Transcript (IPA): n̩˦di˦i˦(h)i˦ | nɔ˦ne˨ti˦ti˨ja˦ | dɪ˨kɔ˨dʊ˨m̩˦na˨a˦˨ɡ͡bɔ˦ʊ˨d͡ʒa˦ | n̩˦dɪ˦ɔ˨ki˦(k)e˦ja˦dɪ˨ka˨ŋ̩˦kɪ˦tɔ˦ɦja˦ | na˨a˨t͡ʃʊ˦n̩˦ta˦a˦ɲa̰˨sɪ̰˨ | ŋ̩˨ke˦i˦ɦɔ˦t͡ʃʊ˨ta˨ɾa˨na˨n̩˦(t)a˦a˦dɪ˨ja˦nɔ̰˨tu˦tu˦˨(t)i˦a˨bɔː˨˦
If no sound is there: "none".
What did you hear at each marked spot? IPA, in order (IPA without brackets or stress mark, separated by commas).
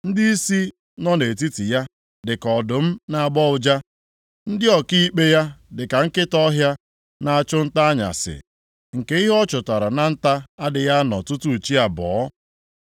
s, k͡p, t, t͡ʃ